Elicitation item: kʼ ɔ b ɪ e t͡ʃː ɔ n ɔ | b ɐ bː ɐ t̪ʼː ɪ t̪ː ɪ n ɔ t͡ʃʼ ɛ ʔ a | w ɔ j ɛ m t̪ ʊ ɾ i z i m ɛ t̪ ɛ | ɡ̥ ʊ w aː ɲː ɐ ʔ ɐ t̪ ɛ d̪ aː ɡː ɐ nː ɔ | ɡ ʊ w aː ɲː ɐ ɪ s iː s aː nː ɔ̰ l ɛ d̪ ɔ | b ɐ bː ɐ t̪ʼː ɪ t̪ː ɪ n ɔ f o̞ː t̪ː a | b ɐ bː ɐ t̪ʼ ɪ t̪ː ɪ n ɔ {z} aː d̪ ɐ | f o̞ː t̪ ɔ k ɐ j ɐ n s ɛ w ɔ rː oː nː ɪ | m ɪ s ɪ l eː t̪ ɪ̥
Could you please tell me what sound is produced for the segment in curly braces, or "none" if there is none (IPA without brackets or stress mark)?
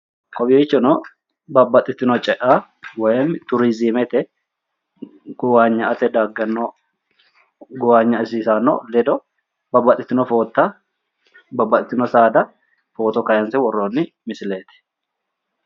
s